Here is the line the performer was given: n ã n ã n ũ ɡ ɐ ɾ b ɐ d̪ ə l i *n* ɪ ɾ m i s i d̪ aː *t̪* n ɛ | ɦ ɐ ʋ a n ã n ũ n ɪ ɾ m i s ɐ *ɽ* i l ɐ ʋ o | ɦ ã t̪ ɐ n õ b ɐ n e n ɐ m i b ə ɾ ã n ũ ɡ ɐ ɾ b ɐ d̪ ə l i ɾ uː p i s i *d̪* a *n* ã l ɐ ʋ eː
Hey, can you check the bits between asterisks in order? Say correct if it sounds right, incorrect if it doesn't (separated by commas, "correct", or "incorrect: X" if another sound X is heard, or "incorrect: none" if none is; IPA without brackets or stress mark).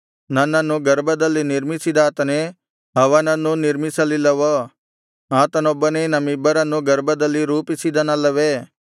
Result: correct, correct, incorrect: l, correct, correct